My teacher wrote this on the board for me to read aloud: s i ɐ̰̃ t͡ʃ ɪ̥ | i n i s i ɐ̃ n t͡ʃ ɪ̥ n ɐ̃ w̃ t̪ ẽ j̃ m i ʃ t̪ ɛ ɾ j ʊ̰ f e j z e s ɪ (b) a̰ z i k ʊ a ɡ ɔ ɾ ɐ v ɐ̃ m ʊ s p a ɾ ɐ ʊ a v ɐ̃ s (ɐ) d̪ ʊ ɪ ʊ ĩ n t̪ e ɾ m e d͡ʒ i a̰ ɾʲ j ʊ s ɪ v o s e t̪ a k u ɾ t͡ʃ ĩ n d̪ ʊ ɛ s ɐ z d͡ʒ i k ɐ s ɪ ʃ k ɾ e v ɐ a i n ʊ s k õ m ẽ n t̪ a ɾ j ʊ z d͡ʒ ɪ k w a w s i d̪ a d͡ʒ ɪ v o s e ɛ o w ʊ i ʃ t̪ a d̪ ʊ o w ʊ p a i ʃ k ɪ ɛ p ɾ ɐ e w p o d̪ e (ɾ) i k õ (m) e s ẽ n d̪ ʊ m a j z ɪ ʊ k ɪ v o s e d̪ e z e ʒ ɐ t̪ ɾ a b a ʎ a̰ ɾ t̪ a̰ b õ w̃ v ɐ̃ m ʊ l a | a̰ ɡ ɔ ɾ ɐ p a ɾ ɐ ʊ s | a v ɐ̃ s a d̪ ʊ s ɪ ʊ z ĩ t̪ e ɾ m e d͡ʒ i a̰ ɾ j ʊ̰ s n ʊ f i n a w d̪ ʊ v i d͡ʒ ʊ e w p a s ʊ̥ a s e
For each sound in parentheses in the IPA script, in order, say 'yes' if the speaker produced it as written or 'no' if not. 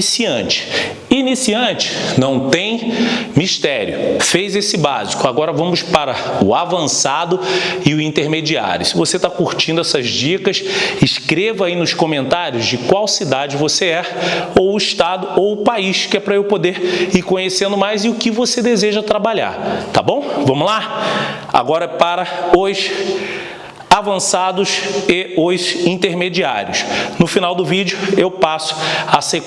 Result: yes, no, yes, no

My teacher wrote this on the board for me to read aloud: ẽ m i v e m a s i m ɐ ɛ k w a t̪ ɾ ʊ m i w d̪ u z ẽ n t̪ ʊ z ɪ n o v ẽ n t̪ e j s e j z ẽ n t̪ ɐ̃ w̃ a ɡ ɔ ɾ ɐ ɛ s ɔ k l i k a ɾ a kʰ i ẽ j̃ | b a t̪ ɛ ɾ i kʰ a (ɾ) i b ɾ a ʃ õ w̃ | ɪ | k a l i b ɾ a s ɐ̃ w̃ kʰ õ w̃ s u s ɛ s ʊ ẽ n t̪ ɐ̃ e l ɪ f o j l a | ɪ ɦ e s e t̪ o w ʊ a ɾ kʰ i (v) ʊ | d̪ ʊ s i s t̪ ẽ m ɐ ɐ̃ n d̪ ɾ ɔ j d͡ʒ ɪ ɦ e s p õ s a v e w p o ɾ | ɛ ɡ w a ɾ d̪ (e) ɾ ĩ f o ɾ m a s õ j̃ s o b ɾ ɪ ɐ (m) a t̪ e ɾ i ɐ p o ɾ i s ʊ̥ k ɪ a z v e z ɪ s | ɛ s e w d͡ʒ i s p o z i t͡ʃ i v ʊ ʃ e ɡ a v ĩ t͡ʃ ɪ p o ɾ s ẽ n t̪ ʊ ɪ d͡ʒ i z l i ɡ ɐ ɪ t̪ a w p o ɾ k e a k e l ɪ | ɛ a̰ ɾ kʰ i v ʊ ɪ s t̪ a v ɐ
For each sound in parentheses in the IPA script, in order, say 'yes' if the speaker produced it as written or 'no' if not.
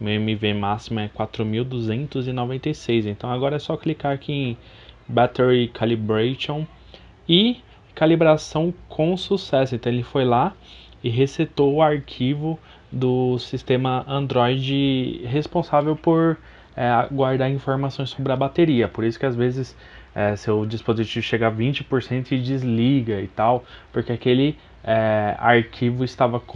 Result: no, yes, no, no

